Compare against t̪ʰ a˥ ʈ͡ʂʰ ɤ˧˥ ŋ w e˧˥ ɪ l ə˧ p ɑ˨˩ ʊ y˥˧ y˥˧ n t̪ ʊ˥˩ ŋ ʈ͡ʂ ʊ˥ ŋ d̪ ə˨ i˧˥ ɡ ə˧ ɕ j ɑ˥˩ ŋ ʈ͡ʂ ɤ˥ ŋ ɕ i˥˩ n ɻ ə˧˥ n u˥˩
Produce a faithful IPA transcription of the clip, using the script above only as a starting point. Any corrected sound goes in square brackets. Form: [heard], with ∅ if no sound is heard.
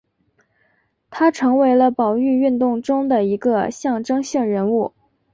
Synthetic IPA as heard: t̪ʰ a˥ ʈ͡ʂʰ ɤ˧˥ ŋ w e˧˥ ɪ l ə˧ p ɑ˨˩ ʊ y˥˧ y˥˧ n t̪ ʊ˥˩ ŋ ʈ͡ʂ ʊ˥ ŋ d̪ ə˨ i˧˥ ɡ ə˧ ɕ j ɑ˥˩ ŋ ʈ͡ʂ ɤ˥ ŋ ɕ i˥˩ [ŋ] ɻ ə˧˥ n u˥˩